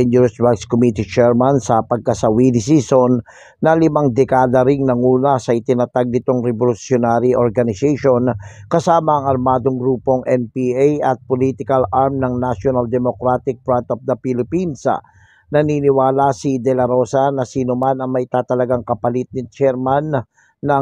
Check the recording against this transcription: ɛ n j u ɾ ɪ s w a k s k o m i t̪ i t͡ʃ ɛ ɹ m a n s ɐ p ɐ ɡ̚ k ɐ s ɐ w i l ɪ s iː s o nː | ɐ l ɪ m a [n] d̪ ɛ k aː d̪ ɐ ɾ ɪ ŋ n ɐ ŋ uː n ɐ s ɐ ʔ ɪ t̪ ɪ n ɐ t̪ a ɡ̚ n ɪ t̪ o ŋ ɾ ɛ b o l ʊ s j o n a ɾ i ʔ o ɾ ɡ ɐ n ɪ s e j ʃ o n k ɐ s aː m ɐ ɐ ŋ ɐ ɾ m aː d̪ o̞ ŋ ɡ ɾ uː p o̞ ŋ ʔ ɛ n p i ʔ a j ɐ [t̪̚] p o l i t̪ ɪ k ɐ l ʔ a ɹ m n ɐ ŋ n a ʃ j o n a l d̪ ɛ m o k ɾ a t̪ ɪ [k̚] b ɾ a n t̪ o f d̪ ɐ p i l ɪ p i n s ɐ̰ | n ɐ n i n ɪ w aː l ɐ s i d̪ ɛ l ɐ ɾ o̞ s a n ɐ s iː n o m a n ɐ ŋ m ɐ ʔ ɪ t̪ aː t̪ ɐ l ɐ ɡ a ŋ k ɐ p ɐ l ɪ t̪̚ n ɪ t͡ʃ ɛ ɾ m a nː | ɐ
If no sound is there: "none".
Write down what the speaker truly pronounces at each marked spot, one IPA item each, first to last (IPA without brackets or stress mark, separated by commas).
ŋ, t̪̚, k̚